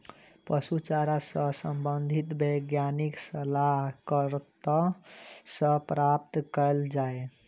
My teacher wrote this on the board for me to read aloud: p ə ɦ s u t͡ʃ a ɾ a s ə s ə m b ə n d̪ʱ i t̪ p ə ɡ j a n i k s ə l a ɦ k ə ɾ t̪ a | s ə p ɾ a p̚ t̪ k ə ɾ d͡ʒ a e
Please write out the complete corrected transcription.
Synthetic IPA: p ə s u t͡ʃ a ɾ a s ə s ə m b ə n d̪ʱ i t̪ b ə ɡ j a n i k s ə l a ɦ k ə ɾ t̪ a | s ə p ɾ a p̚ t̪ k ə l d͡ʒ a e

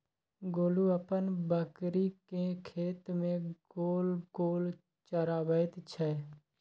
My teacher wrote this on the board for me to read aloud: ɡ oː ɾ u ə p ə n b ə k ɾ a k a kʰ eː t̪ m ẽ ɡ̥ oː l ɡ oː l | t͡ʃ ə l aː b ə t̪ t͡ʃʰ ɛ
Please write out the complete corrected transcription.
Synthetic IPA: ɡ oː l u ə p ə n b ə k ɾ i k e kʰ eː t̪ m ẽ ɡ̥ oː l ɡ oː l | t͡ʃ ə ɾ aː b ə t̪ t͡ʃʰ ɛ

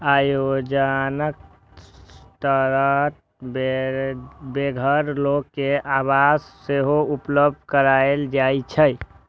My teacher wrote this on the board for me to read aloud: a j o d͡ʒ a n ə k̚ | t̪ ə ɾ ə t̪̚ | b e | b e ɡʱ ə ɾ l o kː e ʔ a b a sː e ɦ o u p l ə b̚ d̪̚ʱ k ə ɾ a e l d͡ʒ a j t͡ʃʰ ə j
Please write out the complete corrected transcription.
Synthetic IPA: a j o d͡ʒ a n ə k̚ | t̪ ə ɾ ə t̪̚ | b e | b e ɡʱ ə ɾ l o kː e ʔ a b a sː e ɦ o u p l ə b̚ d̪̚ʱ k ə ɾ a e l d͡ʒ a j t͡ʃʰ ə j

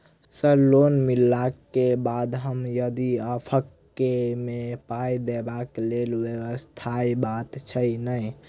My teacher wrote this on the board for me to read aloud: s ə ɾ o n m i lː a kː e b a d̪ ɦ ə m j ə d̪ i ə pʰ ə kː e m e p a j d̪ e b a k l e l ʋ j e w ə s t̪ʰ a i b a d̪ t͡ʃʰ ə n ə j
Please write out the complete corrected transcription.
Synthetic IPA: s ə l o n m i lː a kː e b a d̪ ɦ ə m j ə d̪ i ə pʰ ə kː e m e p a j d̪ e b a k l e l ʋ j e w ə s t̪ʰ a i b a t̪ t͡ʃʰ ə n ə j

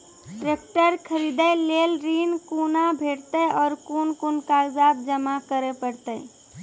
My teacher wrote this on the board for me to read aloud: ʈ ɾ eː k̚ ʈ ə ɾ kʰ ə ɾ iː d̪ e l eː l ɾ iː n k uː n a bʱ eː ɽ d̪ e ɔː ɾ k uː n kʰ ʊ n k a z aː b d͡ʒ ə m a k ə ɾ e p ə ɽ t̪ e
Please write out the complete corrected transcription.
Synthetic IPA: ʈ ɾ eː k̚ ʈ ə ɾ kʰ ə ɾ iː d̪ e l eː l ɾ iː n k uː n a bʱ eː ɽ t̪ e ɔː ɾ k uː n k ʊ n k a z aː b d͡ʒ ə m a k ə ɾ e p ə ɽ t̪ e

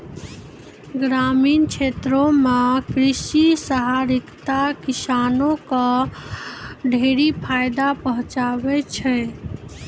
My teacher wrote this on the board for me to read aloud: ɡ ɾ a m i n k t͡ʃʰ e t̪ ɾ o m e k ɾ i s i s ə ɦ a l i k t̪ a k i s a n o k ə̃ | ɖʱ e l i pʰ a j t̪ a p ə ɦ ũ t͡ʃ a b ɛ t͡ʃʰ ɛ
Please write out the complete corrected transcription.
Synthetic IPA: ɡ ɾ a m i n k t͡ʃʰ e t̪ ɾ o m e k ɾ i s i s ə ɦ a ɾ i k t̪ a k i s a n o k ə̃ | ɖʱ e ɾ i pʰ a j d̪ a p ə ɦ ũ t͡ʃ a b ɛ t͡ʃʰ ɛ

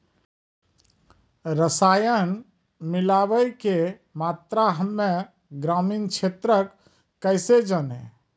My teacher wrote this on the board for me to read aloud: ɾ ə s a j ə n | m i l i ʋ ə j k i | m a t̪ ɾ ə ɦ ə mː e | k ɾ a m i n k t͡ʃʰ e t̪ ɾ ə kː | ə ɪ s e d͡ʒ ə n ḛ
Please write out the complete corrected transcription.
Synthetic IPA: ɾ ə s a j ə n | m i l a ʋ ə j k e | m a t̪ ɾ a ɦ ə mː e | ɡ ɾ a m i n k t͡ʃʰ e t̪ ɾ ə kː | ə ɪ s e d͡ʒ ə n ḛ

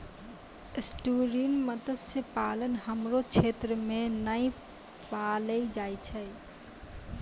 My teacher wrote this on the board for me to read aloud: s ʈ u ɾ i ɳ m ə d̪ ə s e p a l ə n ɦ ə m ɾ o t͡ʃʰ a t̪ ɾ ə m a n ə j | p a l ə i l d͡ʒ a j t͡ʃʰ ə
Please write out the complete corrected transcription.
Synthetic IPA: s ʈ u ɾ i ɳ m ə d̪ ə s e p a l ə n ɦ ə m ɾ o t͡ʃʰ e t̪ ɾ ə m e n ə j | p a l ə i d͡ʒ a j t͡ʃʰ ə

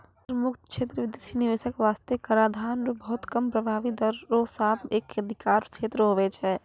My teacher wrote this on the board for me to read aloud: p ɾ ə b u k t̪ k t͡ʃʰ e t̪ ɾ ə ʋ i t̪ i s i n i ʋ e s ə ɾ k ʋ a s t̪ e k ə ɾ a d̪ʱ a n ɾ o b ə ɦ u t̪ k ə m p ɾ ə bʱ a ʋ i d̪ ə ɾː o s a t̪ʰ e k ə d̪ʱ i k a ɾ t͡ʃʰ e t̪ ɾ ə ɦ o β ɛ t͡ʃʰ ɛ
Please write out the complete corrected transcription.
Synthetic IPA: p ɾ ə m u k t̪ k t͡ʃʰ e t̪ ɾ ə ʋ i d̪ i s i n i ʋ e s ə k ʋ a s t̪ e k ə ɾ a d̪ʱ a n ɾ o b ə ɦ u t̪ k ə m p ɾ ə bʱ a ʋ i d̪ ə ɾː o s a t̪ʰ e k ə d̪ʱ i k a ɾ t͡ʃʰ e t̪ ɾ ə ɦ o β ɛ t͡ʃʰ ɛ

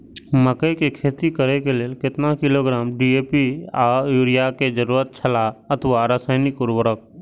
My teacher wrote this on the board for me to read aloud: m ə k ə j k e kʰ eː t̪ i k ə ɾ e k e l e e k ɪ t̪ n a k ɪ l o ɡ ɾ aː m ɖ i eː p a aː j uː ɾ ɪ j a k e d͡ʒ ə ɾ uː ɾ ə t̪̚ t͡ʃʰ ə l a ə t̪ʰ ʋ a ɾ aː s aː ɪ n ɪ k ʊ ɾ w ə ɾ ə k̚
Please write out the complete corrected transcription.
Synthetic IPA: m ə k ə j k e kʰ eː t̪ i k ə ɾ e k e l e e k ɪ t̪ n a k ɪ l o ɡ ɾ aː m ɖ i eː p i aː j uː ɾ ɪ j a k e d͡ʒ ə ɾ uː ɾ ə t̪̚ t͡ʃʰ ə l a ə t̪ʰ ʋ a ɾ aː s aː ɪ n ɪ k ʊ ɾ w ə ɾ ə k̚

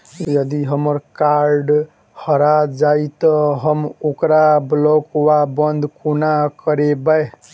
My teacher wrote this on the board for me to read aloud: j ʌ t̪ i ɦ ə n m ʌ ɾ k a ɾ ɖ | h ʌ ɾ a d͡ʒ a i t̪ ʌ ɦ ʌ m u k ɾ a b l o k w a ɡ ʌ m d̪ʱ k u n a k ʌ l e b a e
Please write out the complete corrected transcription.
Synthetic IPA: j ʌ d̪ i ɦ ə m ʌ ɾ k a ɾ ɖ | h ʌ ɾ a d͡ʒ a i t̪ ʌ ɦ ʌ m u k ɾ a b l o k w a b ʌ n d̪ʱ k u n a k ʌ ɾ e b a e

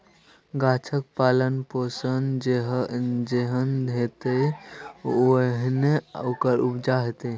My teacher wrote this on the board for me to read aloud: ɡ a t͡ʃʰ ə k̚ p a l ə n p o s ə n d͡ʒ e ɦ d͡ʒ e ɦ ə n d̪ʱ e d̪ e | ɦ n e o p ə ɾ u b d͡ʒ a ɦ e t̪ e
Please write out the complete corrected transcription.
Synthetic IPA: ɡ a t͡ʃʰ ə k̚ p a l ə n p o s ə n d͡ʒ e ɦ d͡ʒ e ɦ ə n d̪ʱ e t̪ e | ɦ n e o k ə ɾ u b d͡ʒ a ɦ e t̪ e

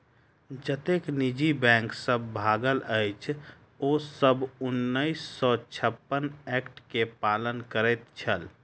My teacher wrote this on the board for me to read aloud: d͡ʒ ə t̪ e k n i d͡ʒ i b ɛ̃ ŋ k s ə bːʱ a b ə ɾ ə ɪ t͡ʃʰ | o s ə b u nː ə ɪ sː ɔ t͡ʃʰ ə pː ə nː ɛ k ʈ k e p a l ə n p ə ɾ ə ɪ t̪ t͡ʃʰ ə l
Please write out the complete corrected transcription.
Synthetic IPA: d͡ʒ ə t̪ e k n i d͡ʒ i b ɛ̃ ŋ k s ə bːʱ a ɡ ə l ə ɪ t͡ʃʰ | o s ə b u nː ə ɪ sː ɔ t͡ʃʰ ə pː ə n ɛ k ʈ k e p a l ə n k ə ɾ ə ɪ t̪ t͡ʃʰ ə l

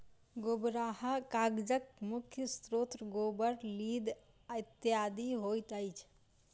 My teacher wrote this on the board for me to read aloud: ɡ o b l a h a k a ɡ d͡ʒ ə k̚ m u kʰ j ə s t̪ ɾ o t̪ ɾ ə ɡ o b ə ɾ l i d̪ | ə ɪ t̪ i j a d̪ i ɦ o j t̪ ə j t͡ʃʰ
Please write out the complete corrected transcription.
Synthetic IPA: ɡ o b ɾ a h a k a ɡ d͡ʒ ə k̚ m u kʰ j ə s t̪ ɾ o t̪ ɾ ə ɡ o b ə ɾ l i d̪ | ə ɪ t̪ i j a d̪ i ɦ o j t̪ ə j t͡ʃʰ

